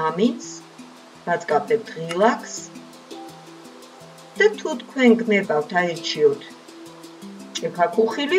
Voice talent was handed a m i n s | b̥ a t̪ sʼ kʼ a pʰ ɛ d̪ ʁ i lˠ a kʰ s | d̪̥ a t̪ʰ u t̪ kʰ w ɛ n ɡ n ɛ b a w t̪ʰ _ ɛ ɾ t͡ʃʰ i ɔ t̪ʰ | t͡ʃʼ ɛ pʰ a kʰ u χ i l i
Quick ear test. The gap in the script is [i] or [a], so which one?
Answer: a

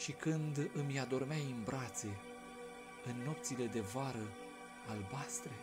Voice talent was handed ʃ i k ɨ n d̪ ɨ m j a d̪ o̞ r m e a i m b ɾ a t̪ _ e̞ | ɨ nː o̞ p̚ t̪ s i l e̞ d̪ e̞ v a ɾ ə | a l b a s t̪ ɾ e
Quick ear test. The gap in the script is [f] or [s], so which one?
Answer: s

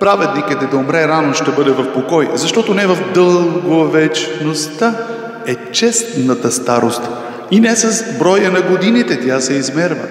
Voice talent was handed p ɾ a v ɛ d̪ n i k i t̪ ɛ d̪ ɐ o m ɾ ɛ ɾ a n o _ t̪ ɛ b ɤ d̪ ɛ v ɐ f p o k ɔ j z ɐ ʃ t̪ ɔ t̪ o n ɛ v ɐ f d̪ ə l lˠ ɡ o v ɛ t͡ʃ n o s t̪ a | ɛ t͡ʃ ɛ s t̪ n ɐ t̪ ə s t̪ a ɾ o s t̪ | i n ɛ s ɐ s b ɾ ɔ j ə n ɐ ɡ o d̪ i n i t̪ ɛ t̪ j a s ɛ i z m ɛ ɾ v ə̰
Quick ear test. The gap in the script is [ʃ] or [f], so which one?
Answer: ʃ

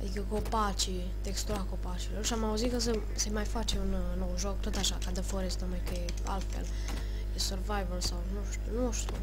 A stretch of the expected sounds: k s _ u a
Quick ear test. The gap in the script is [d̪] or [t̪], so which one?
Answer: t̪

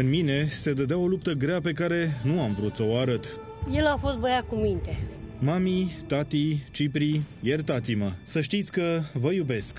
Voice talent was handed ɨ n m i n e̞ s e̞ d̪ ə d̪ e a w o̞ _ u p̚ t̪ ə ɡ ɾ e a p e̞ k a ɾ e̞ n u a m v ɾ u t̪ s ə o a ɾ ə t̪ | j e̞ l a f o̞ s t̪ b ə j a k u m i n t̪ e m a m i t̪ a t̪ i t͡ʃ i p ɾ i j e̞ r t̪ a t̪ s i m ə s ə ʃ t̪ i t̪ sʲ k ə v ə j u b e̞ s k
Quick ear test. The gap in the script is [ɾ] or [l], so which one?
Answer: l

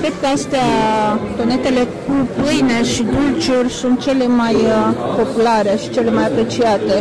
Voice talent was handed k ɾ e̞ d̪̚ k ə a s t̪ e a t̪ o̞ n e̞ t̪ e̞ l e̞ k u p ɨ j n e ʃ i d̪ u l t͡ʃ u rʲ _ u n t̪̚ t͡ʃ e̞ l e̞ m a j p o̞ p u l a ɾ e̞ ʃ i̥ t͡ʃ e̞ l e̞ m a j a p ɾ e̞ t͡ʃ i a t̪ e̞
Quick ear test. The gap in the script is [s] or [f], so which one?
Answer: s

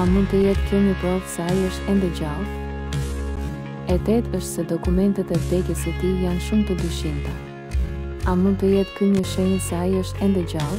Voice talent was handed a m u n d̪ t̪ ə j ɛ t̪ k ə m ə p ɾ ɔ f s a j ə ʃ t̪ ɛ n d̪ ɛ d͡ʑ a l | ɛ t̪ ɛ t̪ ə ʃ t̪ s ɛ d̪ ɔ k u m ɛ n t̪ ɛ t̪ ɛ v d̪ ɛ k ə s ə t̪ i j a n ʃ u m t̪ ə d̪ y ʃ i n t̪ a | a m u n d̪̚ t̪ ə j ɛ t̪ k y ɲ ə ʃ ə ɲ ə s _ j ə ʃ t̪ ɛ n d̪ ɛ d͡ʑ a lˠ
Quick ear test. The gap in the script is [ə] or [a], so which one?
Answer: a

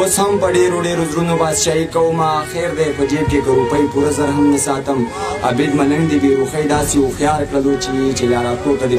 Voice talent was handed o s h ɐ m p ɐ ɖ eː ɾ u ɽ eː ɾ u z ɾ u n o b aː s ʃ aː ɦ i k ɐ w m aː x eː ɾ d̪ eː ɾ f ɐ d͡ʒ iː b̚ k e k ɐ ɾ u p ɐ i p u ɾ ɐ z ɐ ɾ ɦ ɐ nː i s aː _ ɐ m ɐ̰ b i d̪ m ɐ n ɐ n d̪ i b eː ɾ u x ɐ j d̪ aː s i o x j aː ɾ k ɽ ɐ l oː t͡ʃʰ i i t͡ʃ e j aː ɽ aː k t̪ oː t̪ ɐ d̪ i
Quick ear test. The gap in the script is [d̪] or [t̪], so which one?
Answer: t̪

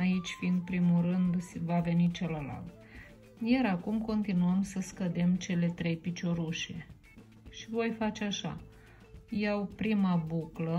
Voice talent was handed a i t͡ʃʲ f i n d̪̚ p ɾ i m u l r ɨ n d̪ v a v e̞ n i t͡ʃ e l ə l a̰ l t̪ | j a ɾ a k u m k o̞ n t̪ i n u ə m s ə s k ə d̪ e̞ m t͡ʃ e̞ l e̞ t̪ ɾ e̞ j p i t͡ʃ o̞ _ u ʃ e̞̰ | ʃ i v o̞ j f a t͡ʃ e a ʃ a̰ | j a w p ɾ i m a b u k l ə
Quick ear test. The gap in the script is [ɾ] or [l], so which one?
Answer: ɾ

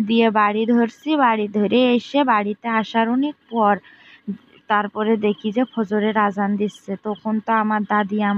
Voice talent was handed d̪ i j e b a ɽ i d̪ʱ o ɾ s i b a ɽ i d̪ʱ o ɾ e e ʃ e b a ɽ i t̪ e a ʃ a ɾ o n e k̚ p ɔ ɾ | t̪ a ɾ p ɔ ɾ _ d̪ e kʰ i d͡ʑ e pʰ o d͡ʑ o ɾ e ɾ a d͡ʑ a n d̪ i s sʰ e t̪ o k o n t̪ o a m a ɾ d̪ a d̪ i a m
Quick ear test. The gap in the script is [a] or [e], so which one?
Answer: e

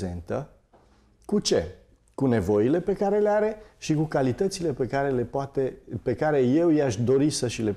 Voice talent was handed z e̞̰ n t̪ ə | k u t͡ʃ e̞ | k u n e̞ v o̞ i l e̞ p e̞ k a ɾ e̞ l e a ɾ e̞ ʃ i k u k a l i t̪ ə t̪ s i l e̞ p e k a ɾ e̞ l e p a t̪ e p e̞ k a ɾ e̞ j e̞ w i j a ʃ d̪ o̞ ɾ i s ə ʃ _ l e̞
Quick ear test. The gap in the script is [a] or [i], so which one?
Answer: i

